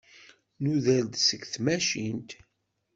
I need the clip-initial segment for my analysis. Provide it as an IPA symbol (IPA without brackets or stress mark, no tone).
n